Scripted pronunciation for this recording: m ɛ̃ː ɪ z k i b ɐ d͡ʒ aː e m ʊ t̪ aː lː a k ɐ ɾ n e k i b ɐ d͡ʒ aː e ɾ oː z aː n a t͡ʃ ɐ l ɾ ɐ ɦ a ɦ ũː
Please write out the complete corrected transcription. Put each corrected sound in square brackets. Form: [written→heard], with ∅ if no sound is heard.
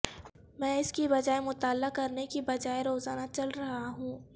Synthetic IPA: m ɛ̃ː ɪ [z→s] k i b ɐ d͡ʒ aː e m ʊ t̪ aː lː a k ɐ ɾ n e k i b ɐ d͡ʒ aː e ɾ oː z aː n a t͡ʃ ɐ l ɾ ɐ ɦ a ɦ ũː